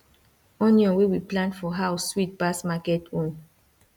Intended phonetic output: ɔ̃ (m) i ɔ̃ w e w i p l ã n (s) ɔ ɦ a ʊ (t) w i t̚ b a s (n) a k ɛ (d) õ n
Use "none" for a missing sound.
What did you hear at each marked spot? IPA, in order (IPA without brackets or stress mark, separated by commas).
n, f, s, m, t